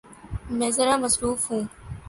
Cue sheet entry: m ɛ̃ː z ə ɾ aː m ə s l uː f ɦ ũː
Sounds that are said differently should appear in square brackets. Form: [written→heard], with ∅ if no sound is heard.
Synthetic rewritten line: m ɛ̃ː z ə ɾ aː m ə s [l→ɾ] uː f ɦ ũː